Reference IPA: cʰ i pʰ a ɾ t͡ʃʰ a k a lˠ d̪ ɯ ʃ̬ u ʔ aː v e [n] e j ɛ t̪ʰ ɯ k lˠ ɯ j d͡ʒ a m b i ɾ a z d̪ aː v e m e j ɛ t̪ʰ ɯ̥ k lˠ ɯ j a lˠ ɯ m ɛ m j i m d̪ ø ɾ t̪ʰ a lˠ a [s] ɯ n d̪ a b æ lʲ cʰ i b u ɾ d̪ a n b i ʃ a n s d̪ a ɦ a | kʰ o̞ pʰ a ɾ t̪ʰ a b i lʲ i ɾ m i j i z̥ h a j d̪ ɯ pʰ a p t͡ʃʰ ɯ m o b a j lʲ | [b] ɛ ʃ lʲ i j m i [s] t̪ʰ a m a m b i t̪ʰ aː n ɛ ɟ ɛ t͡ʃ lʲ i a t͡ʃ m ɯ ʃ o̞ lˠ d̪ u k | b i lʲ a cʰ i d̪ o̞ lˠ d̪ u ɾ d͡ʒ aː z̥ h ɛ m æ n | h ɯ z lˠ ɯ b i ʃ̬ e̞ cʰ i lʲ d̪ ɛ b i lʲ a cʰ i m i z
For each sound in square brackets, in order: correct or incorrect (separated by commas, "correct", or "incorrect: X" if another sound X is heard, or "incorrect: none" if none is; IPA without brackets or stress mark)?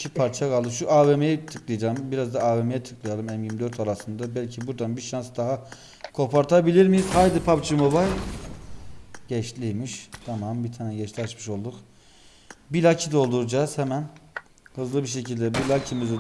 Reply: incorrect: m, correct, incorrect: ɟ, incorrect: ʃ